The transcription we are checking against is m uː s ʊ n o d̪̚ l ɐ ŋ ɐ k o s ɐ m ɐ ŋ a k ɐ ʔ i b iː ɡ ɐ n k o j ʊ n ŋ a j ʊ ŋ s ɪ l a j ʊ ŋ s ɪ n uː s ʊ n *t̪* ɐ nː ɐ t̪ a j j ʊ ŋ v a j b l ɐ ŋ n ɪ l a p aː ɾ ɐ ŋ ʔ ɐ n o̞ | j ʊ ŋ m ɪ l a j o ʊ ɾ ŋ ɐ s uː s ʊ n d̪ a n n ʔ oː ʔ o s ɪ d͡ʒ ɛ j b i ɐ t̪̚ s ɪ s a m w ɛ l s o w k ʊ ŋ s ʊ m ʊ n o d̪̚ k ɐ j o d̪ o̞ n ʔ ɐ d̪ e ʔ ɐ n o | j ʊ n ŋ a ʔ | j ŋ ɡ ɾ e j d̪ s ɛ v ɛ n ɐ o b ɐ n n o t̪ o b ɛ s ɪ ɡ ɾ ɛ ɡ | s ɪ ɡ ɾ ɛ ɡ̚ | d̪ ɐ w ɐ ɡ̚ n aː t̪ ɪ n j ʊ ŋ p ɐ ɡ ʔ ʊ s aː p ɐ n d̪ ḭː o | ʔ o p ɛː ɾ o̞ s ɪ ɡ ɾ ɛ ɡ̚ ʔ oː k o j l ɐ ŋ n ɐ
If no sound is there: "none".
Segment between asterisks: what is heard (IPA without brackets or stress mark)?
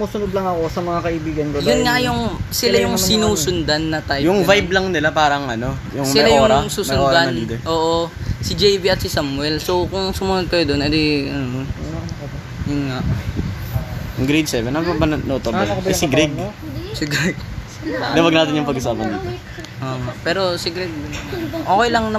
d̪